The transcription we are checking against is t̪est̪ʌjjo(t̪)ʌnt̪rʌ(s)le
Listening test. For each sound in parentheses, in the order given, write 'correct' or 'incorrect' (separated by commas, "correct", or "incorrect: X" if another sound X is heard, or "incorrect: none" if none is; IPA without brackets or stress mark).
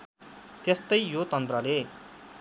correct, incorrect: none